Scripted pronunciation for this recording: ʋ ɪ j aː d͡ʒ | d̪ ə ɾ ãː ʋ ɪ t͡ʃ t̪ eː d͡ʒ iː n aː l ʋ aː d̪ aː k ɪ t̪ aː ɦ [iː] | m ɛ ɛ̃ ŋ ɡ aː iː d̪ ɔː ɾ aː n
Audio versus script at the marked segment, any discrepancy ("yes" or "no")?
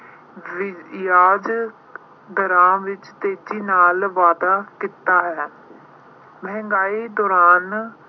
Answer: yes